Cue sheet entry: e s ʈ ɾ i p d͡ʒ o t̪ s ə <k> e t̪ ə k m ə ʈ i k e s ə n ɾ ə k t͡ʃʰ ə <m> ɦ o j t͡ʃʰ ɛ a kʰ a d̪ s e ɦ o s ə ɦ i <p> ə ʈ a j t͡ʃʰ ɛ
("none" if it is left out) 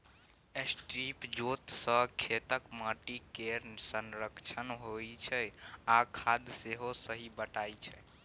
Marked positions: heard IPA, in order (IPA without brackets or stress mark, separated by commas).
kʰ, n, b